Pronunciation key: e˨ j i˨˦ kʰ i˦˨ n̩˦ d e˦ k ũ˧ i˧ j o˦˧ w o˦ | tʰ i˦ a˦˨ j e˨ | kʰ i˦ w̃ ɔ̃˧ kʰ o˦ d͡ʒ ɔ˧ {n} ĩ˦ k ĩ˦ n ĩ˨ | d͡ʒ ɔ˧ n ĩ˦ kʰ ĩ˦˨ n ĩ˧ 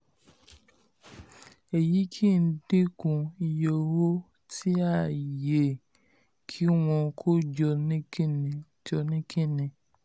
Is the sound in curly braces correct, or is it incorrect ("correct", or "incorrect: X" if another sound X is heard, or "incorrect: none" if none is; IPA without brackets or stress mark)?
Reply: correct